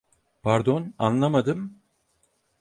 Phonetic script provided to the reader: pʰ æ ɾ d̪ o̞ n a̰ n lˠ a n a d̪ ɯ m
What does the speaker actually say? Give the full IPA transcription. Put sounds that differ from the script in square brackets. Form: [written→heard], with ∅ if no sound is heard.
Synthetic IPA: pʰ [æ→a] ɾ d̪ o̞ n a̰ n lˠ a [n→m] a d̪ ɯ m